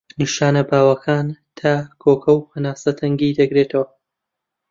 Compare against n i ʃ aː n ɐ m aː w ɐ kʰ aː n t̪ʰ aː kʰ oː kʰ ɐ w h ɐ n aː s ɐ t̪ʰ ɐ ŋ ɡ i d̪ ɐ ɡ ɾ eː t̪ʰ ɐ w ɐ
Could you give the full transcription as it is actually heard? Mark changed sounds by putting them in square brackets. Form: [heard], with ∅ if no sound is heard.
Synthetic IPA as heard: n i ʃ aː n ɐ [b] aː w ɐ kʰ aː n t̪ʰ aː kʰ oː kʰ ɐ w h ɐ n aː s ɐ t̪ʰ ɐ ŋ ɡ i d̪ ɐ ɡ ɾ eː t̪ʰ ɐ w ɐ